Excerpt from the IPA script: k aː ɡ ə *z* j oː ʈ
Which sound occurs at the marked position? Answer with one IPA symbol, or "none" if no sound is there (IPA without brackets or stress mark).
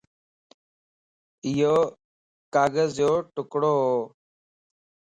z